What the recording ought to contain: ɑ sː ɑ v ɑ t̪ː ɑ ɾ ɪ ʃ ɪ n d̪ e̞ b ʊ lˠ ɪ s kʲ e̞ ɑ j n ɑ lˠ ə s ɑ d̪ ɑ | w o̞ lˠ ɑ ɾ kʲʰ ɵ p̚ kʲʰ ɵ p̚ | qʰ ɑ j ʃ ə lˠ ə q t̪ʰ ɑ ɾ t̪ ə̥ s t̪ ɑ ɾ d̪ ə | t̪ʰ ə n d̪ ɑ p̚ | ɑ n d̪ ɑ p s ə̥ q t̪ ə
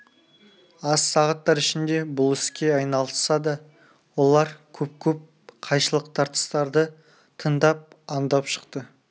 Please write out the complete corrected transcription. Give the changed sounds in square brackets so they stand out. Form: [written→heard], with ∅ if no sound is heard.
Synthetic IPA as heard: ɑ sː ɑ [v→ʁ] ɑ t̪ː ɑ ɾ ɪ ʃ ɪ n d̪ e̞ b ʊ lˠ ɪ s kʲ e̞ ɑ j n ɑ lˠ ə s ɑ d̪ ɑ | w o̞ lˠ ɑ ɾ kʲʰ ɵ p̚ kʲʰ ɵ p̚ | qʰ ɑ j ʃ ə lˠ ə q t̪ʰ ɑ ɾ t̪ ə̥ s t̪ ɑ ɾ d̪ ə | t̪ʰ ə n d̪ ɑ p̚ | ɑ n d̪ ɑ p [s→ʃ] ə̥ q t̪ ə